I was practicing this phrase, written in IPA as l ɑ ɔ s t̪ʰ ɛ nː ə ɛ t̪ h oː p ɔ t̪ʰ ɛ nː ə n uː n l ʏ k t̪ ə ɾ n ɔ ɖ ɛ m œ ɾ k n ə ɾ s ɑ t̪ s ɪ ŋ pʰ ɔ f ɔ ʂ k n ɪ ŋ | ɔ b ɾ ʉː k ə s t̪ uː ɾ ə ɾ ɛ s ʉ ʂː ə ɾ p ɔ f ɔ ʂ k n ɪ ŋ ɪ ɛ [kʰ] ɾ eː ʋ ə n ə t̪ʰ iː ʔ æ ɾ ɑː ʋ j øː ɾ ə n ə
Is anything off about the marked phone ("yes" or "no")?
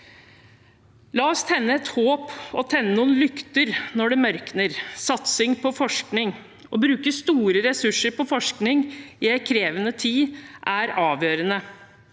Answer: no